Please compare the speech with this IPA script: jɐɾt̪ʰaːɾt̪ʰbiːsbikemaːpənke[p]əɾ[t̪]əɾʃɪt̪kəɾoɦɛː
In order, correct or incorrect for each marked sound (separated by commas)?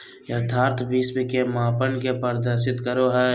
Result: correct, incorrect